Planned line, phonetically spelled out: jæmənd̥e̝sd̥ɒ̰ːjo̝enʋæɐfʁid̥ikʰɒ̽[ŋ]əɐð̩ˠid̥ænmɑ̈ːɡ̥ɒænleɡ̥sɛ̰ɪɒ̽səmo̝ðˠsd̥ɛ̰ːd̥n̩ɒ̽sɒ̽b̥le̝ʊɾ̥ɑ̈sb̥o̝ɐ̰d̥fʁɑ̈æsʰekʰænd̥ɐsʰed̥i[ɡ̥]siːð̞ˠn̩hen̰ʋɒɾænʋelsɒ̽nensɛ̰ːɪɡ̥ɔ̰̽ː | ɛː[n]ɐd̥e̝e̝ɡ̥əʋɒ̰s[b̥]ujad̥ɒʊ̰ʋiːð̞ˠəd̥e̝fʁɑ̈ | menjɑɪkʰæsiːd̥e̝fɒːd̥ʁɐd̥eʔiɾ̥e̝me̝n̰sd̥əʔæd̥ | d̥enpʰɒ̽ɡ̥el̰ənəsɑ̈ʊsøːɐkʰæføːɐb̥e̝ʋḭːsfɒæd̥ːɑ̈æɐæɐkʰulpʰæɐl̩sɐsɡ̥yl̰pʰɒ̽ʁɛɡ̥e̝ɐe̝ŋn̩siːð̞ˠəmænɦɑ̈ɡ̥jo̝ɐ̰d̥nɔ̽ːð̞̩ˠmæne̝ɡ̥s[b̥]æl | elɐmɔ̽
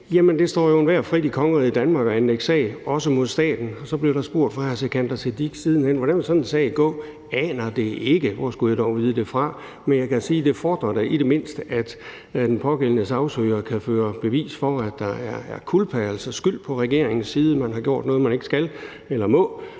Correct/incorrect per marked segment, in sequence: correct, correct, correct, incorrect: ɡ̥, incorrect: ɡ̥

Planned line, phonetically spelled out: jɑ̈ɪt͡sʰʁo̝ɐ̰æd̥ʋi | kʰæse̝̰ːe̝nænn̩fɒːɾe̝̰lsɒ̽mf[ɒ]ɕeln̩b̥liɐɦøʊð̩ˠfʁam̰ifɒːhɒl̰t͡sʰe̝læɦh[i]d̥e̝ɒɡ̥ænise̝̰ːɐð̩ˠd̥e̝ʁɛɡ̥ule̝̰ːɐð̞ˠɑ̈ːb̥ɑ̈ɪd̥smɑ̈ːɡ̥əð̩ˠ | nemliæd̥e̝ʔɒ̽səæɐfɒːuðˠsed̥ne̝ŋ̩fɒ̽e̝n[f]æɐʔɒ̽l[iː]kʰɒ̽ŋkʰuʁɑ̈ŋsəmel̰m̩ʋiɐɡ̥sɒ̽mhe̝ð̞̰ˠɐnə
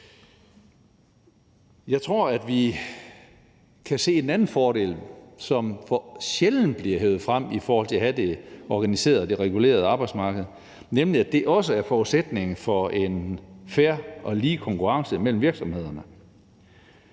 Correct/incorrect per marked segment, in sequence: correct, incorrect: æ, correct, correct

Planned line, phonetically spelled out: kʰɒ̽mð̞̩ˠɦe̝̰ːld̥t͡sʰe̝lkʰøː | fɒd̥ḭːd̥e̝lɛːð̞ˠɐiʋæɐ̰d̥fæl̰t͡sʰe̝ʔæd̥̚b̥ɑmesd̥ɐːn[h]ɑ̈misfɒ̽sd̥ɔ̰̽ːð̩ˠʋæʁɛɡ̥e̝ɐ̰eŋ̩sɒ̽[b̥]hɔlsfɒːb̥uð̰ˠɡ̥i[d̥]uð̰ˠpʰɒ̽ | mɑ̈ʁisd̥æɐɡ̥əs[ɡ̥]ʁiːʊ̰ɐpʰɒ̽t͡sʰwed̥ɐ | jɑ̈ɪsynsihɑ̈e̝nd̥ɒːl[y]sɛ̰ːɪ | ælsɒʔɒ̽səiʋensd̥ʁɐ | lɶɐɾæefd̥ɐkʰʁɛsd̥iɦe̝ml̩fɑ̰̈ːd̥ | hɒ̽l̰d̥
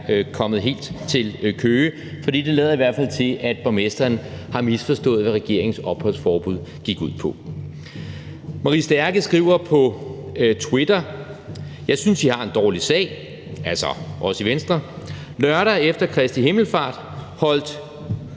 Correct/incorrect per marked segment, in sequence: correct, correct, incorrect: ɡ̥, correct, incorrect: i

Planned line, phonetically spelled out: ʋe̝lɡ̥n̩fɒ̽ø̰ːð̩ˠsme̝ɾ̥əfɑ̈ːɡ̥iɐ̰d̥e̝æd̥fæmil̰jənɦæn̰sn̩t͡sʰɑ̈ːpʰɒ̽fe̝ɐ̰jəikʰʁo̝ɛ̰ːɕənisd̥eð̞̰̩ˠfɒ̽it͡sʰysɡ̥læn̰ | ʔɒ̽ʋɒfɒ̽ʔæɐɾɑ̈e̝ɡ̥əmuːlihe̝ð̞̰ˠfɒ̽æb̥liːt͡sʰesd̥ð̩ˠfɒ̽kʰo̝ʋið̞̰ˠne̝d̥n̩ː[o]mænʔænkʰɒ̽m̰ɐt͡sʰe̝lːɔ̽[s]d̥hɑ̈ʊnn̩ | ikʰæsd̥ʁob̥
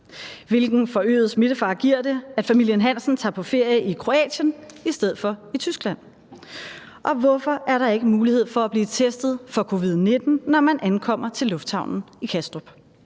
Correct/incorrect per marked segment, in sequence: incorrect: ɒ, incorrect: f

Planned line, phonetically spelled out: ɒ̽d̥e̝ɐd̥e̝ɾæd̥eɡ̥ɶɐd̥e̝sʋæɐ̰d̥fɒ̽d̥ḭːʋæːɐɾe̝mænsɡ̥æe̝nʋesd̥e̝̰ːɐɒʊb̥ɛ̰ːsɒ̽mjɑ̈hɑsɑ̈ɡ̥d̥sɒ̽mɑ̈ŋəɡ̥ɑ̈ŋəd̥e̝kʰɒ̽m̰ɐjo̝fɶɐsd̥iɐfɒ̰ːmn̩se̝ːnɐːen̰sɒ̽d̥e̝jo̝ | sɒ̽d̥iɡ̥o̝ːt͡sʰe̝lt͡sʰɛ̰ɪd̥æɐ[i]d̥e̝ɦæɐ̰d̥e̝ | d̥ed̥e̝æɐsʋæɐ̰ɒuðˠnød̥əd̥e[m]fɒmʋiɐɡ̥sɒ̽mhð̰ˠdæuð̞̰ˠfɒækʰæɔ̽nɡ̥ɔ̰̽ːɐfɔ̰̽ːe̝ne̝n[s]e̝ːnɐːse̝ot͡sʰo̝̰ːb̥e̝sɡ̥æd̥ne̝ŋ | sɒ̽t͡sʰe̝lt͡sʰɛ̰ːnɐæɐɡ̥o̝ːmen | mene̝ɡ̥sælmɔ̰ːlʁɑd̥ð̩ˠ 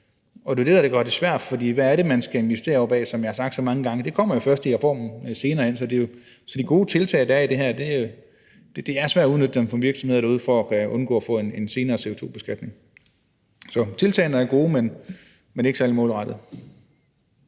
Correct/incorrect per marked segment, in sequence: correct, correct, correct

